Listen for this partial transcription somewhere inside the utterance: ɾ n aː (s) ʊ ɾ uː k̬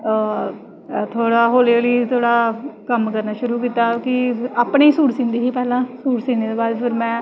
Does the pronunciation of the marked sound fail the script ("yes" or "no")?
yes